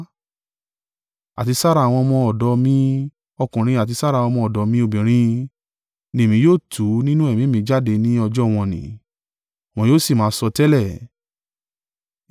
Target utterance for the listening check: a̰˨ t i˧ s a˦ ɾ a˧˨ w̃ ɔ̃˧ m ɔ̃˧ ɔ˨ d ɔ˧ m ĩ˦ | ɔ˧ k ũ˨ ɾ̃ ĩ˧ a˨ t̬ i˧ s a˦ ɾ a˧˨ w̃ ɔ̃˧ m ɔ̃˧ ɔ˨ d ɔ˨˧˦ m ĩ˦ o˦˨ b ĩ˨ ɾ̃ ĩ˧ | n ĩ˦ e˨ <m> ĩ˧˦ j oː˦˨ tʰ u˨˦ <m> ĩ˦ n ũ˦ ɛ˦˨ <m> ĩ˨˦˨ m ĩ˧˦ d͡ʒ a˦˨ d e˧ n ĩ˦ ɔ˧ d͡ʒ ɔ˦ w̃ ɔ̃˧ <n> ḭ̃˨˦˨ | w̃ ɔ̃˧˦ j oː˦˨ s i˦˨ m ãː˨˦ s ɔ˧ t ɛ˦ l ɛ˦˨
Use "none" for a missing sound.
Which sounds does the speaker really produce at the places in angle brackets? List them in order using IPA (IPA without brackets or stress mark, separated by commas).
m, n, m, n